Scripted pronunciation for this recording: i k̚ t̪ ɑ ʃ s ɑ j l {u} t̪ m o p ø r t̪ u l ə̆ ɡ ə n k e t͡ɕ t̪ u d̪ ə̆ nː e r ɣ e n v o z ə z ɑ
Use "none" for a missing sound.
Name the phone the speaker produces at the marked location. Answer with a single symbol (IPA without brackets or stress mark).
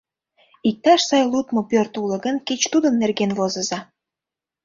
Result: u